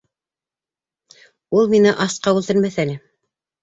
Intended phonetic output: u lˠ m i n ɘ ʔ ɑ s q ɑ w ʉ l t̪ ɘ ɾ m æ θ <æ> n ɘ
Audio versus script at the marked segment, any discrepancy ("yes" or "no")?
no